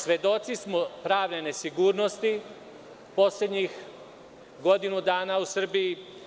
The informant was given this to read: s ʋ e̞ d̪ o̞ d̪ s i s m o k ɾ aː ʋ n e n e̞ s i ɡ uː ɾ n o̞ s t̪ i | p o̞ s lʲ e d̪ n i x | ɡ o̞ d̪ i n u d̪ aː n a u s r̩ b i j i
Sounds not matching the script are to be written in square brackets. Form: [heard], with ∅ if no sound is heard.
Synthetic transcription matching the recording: s ʋ e̞ d̪ o̞ [t̪] s i s m o [p] ɾ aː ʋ n e n e̞ s i ɡ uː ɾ n o̞ s t̪ i | p o̞ s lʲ e d̪ [ɲ] i x | ɡ o̞ d̪ i n u d̪ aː n a u s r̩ b i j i

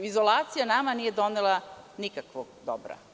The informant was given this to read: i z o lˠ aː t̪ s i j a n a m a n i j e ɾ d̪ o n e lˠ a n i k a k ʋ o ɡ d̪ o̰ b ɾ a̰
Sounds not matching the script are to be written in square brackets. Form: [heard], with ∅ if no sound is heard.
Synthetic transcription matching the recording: i z o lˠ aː t̪ s i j a n a m a n i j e [∅] d̪ o n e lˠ a n i k a k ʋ o ɡ d̪ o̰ b ɾ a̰

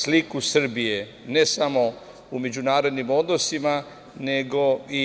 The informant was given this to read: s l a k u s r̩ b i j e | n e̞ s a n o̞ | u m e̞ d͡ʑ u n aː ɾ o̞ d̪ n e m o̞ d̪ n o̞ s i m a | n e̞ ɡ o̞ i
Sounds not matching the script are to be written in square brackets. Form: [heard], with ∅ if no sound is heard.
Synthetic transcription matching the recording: s l [i] k u s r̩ b i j e | n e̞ s a [m] o̞ | u m e̞ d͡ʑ u n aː ɾ o̞ d̪ n [i] m o̞ d̪ n o̞ s i m a | n e̞ ɡ o̞ i

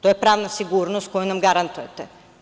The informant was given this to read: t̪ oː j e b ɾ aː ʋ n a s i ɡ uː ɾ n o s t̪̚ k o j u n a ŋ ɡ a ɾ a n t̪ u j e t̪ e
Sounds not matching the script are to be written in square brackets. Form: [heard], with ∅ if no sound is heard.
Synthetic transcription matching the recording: t̪ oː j e [p] ɾ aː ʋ n a s i ɡ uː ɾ n o s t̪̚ k o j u n a [m] ɡ a ɾ a n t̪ u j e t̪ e

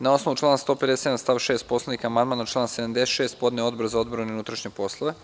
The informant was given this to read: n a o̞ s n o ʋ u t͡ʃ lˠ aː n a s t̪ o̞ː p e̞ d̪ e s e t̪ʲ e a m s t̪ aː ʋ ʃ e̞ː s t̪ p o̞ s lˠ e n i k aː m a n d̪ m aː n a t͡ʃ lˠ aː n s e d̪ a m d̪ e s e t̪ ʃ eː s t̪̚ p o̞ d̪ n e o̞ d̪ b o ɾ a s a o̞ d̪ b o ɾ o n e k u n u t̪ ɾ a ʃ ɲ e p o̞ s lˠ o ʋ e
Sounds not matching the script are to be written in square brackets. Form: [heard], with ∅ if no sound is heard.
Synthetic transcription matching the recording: n a o̞ s n o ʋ u t͡ʃ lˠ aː n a s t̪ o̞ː p e̞ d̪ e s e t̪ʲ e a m s t̪ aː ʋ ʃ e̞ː s t̪ p o̞ s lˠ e n i k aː m a n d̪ m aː n a t͡ʃ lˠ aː n s e d̪ a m d̪ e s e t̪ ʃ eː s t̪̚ p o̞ d̪ n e o̞ d̪ b o ɾ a [z] a o̞ d̪ b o ɾ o n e [∅] u n u t̪ ɾ a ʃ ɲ e p o̞ s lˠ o ʋ e

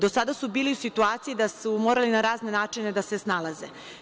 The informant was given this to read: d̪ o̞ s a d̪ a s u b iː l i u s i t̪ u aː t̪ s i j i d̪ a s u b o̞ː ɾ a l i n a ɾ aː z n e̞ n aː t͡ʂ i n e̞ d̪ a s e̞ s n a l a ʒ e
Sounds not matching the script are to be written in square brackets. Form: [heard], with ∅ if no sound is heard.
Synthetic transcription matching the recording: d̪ o̞ s a d̪ a s u b iː l i u s i t̪ u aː t̪ s i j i d̪ a s u [m] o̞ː ɾ a l i n a ɾ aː z n e̞ n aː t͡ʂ i n e̞ d̪ a s e̞ s n a l a [z] e

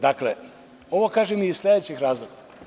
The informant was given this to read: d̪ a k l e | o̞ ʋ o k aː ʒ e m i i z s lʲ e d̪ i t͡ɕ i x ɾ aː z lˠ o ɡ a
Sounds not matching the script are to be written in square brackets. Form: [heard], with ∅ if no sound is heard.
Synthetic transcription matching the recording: d̪ a k l e | o̞ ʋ o k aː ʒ e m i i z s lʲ e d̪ [e] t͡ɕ i x ɾ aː z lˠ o ɡ a

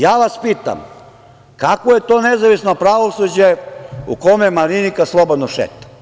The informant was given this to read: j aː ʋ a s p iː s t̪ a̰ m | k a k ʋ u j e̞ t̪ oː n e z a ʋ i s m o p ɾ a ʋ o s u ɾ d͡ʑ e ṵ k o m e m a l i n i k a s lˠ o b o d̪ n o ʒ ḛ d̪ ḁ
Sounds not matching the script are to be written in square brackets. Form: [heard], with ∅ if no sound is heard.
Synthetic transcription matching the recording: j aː ʋ a s p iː [∅] t̪ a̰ m | k a k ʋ [o] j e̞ t̪ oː n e z a ʋ i s [n] o p ɾ a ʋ o s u [∅] d͡ʑ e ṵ k o m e m a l i n i k a s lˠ o b o d̪ n o [ʃ] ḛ [t̪] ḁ

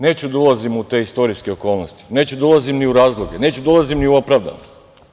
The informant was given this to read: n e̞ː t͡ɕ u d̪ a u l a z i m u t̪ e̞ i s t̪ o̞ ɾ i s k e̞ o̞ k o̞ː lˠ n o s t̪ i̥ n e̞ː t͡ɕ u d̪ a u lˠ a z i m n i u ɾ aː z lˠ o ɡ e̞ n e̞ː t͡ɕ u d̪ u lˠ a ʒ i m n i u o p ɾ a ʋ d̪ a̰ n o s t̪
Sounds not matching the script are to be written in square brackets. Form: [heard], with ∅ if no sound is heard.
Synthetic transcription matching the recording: n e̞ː t͡ɕ u d̪ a u l a z i m u t̪ e̞ i s t̪ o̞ ɾ i s k e̞ o̞ k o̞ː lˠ n o s t̪ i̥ n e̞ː t͡ɕ u d̪ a u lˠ a z i m n i u ɾ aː z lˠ o ɡ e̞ n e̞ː t͡ɕ u d̪ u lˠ a [z] i m n i u o p ɾ a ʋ d̪ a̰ n o s t̪

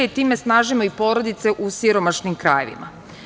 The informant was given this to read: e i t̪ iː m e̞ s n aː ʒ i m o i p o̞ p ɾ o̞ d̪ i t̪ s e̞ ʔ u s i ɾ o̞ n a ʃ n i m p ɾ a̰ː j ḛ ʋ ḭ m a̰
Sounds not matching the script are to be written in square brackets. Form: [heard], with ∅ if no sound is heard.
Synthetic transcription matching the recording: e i t̪ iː m e̞ s n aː ʒ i m o i p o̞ [∅] ɾ o̞ d̪ i t̪ s e̞ ʔ u s i ɾ o̞ [m] a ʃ n i m [k] ɾ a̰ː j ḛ ʋ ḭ m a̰

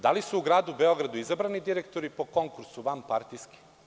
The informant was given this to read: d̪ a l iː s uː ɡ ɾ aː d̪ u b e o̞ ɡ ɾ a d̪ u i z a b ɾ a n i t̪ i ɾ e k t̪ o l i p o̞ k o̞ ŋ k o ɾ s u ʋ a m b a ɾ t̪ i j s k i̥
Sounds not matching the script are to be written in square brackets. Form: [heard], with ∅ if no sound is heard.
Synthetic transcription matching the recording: d̪ a l [i] s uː ɡ ɾ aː d̪ u b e o̞ ɡ ɾ a d̪ u i z a b ɾ a n i [d̪] i ɾ e k t̪ o [ɾ] i p o̞ k o̞ ŋ k [u] ɾ s u ʋ a m [p] a ɾ t̪ i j s k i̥

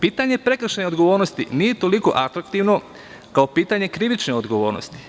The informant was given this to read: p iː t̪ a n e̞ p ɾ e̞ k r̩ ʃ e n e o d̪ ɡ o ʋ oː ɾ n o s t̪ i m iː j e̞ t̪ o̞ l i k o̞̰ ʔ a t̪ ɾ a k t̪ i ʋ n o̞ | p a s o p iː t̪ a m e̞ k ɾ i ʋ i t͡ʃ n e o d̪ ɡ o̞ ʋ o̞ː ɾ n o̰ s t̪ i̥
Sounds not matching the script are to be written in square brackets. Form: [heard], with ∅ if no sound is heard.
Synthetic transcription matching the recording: p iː t̪ a [ɲ] e̞ p ɾ e̞ k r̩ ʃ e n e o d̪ ɡ o ʋ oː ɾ n o s t̪ i [n] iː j e̞ t̪ o̞ l i k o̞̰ ʔ a t̪ ɾ a k t̪ i ʋ n o̞ | [k] a [∅] o p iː t̪ a [ɲ] e̞ k ɾ i ʋ i t͡ʃ n e o d̪ ɡ o̞ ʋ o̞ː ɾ n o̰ s t̪ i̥

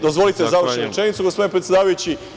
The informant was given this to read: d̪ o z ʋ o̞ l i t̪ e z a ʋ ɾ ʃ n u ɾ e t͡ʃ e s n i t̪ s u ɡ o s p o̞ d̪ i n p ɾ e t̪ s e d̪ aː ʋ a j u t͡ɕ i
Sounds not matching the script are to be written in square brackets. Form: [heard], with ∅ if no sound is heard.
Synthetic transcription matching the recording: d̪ o z ʋ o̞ l i t̪ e z a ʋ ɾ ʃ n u ɾ e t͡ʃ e [∅] n i t̪ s u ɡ o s p o̞ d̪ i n p ɾ e t̪ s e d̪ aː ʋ a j u t͡ɕ i

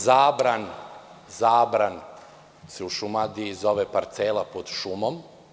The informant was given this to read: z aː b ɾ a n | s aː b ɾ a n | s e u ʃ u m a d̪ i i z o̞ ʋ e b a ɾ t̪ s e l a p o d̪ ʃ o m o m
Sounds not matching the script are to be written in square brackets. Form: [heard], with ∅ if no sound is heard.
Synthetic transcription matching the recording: z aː b ɾ a n | [z] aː b ɾ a n | s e u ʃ u m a d̪ i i z o̞ ʋ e [p] a ɾ t̪ s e l a p o d̪ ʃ [u] m o m

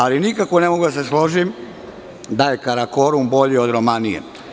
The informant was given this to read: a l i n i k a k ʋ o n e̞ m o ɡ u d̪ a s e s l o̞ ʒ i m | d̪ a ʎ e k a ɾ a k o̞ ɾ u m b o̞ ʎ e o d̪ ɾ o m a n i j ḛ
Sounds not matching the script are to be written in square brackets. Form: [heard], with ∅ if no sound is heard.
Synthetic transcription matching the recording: a l i n i k a k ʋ o n e̞ m o ɡ u d̪ a s e s l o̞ ʒ i m | d̪ a [j] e k a ɾ a k o̞ ɾ u m b o̞ ʎ [i] o d̪ ɾ o m a n i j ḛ

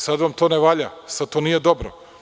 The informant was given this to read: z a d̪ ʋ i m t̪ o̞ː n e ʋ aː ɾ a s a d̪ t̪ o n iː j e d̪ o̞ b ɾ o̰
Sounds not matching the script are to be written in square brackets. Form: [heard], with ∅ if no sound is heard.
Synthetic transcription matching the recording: [s] a d̪ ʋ [a] m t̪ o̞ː n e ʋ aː [ʎ] a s a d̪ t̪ o n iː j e d̪ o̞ b ɾ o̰

